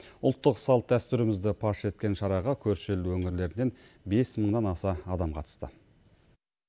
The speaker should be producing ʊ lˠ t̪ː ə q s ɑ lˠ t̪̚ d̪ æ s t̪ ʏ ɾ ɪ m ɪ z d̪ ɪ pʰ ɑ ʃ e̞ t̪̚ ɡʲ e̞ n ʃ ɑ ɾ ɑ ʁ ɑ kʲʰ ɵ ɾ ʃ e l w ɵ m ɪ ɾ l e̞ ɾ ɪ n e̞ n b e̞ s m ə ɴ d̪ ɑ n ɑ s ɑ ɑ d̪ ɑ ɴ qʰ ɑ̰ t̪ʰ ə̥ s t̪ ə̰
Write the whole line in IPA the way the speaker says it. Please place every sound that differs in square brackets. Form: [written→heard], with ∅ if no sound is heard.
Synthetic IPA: ʊ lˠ t̪ː ə q s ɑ lˠ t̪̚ d̪ æ s t̪ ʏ ɾ ɪ m ɪ z d̪ ɪ pʰ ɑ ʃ e̞ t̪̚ [ɡʲ→kʲ] e̞ n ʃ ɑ ɾ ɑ ʁ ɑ kʲʰ ɵ ɾ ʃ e l w ɵ [m→ŋ] ɪ ɾ l e̞ ɾ ɪ n e̞ n b e̞ s m ə ɴ d̪ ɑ n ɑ s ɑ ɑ d̪ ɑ [ɴ→m] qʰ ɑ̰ [t̪ʰ→t̪] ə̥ s t̪ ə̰